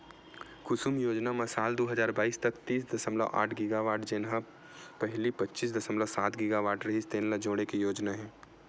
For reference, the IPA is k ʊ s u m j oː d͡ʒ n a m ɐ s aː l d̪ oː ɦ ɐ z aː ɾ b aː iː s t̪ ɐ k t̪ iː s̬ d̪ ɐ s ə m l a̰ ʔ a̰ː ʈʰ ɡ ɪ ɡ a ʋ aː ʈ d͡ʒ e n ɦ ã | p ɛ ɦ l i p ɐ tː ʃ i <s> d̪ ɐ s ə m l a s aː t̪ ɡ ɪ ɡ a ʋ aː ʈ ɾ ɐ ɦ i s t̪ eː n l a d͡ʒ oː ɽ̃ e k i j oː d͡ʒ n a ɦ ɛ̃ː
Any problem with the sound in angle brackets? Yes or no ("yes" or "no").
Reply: no